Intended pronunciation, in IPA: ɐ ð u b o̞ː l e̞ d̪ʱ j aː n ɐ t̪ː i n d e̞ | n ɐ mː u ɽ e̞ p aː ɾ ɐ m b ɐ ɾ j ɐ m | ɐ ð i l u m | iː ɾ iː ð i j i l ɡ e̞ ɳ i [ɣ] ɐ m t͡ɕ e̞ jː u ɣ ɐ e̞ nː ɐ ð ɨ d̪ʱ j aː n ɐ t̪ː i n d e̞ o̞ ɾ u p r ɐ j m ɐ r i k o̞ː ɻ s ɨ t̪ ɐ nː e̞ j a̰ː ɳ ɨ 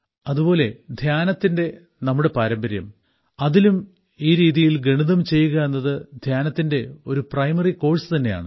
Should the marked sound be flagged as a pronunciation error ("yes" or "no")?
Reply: yes